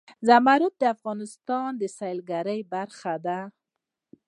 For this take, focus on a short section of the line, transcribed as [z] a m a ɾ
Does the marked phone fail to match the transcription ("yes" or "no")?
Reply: no